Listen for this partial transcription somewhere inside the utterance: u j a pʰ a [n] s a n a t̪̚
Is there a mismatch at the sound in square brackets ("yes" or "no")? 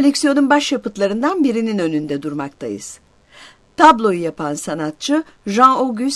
no